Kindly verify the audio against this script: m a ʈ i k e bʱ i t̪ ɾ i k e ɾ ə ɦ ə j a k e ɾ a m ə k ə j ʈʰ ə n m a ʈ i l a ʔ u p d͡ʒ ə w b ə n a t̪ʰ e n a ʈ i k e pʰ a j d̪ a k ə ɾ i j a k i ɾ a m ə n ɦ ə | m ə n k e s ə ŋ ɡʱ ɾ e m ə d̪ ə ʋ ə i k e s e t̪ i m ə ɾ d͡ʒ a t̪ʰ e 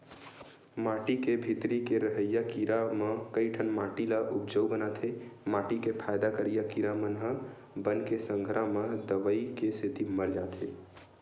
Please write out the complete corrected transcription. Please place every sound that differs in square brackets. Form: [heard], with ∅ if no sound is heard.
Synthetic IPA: m a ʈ i k e bʱ i t̪ ɾ i k e ɾ ə ɦ ə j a k [i] ɾ a m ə k ə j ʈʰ ə n m a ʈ i l a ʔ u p d͡ʒ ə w b ə n a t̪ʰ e [m] a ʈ i k e pʰ a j d̪ a k ə ɾ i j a k i ɾ a m ə n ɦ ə | [b] ə n k e s ə ŋ ɡʱ ɾ [a] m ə d̪ ə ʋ ə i k e s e t̪ i m ə ɾ d͡ʒ a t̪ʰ e